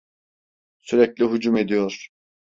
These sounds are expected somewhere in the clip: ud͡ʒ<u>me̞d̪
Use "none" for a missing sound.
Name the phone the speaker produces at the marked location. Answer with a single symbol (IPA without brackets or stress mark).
u